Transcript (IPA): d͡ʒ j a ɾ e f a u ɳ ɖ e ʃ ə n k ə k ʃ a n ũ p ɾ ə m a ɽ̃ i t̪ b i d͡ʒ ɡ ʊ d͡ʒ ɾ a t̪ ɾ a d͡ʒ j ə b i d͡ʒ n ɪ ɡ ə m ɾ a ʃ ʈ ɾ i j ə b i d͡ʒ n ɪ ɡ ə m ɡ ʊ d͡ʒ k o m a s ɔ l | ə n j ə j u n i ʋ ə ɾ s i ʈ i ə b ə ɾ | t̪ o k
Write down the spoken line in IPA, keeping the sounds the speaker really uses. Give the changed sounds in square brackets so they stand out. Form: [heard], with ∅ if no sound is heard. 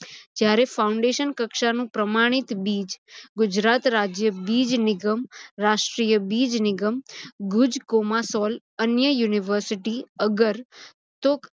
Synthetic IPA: d͡ʒ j a ɾ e f a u ɳ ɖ e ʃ ə n k ə k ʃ a n ũ p ɾ ə m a ɽ̃ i t̪ b i d͡ʒ ɡ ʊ d͡ʒ ɾ a t̪ ɾ a d͡ʒ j ə b i d͡ʒ n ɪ ɡ ə m ɾ a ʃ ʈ ɾ i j ə b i d͡ʒ n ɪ ɡ ə m ɡ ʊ d͡ʒ k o m a s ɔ l | ə n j ə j u n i ʋ ə ɾ s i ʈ i ə [ɡ] ə ɾ | t̪ o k

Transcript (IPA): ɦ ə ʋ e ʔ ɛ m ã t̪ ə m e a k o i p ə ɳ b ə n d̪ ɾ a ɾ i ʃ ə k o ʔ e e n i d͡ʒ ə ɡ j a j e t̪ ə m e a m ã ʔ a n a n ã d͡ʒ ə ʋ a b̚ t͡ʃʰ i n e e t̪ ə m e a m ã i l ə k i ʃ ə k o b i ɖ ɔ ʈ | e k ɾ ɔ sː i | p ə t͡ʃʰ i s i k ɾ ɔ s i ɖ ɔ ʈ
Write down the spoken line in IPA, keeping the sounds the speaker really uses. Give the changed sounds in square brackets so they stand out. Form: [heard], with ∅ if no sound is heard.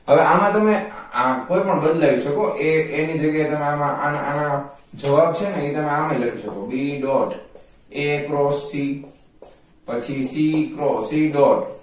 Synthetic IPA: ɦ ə ʋ e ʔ [a] m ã t̪ ə m e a k o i p ə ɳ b ə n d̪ [l] a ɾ i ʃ ə k o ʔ e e n i d͡ʒ ə ɡ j a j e t̪ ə m e a m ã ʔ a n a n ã d͡ʒ ə ʋ a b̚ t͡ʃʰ [e] n e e t̪ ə m e a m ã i l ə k i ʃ ə k o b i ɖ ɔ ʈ | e k ɾ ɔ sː i | p ə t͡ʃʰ i s i k ɾ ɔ s i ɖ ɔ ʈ

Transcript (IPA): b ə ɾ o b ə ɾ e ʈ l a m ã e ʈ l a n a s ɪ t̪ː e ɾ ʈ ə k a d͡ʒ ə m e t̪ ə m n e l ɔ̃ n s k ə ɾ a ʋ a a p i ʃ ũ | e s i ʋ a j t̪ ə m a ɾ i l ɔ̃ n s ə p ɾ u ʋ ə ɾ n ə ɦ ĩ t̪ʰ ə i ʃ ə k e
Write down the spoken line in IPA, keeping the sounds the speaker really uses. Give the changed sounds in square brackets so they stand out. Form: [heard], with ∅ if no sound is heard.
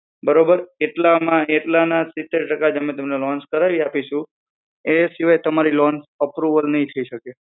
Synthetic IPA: b ə ɾ o b ə ɾ e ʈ l a m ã e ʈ l a n a s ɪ t̪ː e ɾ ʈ ə k a d͡ʒ ə m e t̪ ə m n e l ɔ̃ n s k ə ɾ a ʋ [i] a p i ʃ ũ | e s i ʋ a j t̪ ə m a ɾ i l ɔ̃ n s ə p ɾ u ʋ ə [l] n ə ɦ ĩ t̪ʰ ə i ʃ ə k e

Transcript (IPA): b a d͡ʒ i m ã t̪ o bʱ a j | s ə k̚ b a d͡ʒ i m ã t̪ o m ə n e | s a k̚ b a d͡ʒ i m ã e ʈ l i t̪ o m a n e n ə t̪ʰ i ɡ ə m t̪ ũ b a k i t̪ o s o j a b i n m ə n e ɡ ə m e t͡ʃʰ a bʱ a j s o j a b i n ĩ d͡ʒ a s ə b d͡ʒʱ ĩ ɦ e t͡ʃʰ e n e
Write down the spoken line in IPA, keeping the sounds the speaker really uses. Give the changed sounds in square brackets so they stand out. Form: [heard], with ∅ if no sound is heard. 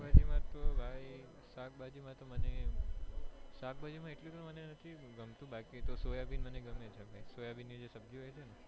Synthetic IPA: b a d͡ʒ i m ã t̪ o bʱ a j | s [a] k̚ b a d͡ʒ i m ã t̪ o m ə n e | s a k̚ b a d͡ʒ i m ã e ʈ l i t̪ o m [ə] n e n ə t̪ʰ i ɡ ə m t̪ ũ b a k i t̪ o s o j a b i n m ə n e ɡ ə m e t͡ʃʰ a bʱ a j s o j a b i n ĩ d͡ʒ [e] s ə b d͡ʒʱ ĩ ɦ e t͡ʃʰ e n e

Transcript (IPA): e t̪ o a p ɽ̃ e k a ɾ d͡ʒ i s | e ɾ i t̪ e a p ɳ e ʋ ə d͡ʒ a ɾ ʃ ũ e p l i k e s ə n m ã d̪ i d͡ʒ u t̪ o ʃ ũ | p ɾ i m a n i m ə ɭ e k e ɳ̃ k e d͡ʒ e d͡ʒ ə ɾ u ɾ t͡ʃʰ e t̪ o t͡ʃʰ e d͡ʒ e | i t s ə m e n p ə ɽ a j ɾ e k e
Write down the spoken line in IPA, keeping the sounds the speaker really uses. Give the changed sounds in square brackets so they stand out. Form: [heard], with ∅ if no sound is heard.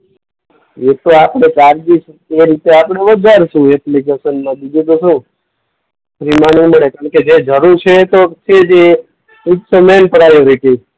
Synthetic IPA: e t̪ o a p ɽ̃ e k a ɾ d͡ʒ i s | e ɾ i t̪ e a p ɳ e ʋ ə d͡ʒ a ɾ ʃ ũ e p l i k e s ə n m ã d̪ i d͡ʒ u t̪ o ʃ ũ | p ɾ i m a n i m ə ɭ e k [a] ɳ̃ k e d͡ʒ e d͡ʒ ə ɾ u ɾ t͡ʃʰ e t̪ o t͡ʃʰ e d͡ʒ e | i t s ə m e n p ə [ɾ] a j ɾ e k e

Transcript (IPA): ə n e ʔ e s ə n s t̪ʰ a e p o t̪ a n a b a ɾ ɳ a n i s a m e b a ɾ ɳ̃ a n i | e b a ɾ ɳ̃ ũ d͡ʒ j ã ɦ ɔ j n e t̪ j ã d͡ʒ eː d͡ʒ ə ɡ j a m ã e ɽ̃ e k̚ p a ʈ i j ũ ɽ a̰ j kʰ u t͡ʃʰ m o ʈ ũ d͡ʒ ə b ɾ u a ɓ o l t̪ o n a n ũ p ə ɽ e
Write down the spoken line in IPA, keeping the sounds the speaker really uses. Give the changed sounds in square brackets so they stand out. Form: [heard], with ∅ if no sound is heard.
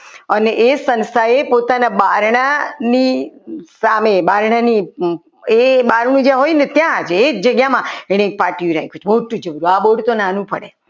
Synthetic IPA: ə n e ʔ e s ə n s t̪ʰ a e p o t̪ a n a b a ɾ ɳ a n i s a m e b a ɾ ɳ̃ a n i | e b a ɾ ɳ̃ ũ d͡ʒ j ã ɦ [o] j n e t̪ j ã d͡ʒ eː d͡ʒ ə ɡ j a m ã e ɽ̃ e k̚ p a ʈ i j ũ [ɾ] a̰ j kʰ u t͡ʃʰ m o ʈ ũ d͡ʒ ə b ɾ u a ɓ o [ɽ] t̪ o n a n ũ p ə ɽ e

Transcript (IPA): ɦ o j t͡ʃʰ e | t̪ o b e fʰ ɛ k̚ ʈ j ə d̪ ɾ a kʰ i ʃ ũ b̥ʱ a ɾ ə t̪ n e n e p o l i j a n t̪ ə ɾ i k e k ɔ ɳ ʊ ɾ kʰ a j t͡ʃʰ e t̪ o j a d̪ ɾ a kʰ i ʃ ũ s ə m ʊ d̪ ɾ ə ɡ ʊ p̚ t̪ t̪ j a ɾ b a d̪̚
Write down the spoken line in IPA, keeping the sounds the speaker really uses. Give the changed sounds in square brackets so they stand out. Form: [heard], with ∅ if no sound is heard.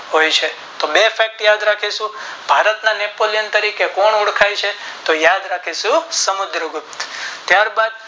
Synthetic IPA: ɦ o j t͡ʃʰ e | t̪ o b e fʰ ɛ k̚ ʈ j [a] d̪ ɾ a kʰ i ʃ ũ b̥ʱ a ɾ ə t̪ n [a] n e p o l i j [ə] n t̪ ə ɾ i k e k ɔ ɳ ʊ [ɽ] kʰ a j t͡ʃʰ e t̪ o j a d̪ ɾ a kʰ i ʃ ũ s ə m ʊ d̪ ɾ ə ɡ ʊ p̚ t̪ t̪ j a ɾ b a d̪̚

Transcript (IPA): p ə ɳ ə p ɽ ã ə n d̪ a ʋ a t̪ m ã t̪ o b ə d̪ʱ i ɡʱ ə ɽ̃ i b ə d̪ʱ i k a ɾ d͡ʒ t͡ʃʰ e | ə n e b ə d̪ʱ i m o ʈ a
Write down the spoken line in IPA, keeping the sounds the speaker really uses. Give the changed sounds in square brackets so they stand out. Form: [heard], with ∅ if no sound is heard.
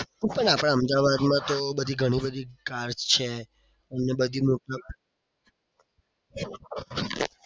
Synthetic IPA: p ə ɳ [a] p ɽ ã ə [m] d̪ a ʋ a [d̪] m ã t̪ o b ə d̪ʱ i ɡʱ ə ɽ̃ i b ə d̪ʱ i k a ɾ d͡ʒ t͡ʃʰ e | ə n e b ə d̪ʱ i m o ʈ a

